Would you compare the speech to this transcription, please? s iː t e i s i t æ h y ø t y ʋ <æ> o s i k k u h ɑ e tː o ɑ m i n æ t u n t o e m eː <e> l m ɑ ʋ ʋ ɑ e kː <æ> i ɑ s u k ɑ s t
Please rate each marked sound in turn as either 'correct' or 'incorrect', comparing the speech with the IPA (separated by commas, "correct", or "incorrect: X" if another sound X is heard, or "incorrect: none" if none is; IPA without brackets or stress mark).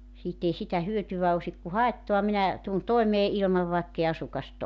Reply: correct, incorrect: i, incorrect: e